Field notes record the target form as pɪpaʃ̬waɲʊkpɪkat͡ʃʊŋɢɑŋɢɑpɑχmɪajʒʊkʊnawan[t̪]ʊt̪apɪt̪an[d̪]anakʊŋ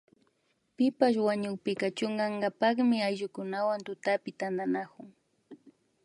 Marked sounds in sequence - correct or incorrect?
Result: correct, correct

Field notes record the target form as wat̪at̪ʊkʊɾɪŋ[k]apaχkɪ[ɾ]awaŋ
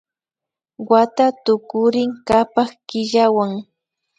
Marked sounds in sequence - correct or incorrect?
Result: correct, incorrect: ʎ

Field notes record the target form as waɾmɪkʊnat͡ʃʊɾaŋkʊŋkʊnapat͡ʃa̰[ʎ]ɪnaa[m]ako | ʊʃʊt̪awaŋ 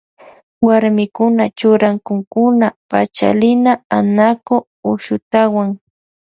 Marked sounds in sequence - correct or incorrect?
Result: incorrect: l, incorrect: n

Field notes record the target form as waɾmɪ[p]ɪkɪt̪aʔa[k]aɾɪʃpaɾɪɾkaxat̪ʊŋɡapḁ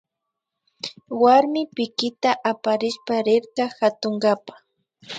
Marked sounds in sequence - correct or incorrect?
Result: correct, incorrect: p

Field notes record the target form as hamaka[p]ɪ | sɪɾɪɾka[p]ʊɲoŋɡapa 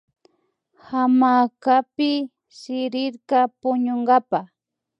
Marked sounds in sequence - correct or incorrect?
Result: correct, correct

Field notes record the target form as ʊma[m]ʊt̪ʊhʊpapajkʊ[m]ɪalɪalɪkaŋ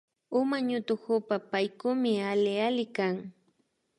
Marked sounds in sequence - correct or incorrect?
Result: incorrect: ɲ, correct

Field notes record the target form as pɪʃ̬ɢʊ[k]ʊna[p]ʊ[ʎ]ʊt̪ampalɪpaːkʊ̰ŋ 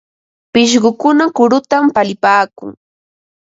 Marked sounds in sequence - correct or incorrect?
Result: correct, incorrect: k, incorrect: ɾ

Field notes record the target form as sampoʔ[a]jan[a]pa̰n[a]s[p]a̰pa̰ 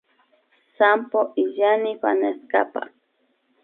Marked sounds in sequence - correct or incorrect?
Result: incorrect: i, incorrect: i, incorrect: e, incorrect: k

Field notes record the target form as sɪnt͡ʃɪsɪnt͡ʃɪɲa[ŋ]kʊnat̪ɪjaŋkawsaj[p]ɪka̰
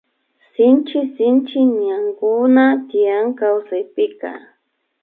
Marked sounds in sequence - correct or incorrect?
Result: correct, correct

